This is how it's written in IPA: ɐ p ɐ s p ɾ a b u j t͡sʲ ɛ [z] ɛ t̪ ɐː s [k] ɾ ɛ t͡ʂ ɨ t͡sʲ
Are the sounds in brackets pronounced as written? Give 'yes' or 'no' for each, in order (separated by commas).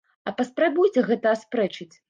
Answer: no, no